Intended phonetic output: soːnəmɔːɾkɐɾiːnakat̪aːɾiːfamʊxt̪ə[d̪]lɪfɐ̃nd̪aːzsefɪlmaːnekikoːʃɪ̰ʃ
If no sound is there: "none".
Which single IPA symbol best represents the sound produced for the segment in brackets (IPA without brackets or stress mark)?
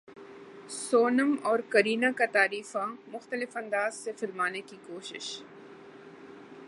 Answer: none